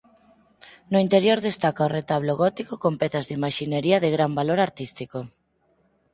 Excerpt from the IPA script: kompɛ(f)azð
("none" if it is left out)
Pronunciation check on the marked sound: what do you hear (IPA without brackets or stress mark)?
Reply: θ